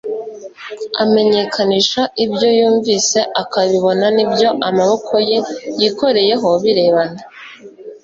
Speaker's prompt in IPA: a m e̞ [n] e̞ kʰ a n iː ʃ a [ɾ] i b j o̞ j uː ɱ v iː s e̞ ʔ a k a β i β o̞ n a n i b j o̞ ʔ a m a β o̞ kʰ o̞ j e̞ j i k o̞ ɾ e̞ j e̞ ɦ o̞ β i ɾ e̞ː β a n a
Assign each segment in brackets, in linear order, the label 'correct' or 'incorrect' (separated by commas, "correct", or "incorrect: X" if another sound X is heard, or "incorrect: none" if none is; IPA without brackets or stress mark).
incorrect: ɲ, incorrect: none